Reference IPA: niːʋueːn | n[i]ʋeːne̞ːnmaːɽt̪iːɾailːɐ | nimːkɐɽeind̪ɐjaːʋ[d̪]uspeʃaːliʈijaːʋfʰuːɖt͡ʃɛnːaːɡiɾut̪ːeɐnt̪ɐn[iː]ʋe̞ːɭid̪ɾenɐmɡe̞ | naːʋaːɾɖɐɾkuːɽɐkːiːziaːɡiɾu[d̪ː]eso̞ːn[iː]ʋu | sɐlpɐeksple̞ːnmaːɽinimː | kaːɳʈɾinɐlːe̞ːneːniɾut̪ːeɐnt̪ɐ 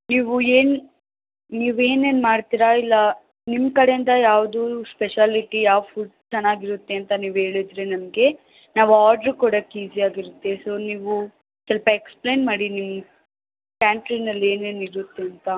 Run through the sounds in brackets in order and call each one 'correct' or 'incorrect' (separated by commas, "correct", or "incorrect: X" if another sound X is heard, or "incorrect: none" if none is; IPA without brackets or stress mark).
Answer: incorrect: iː, correct, correct, incorrect: t̪ː, correct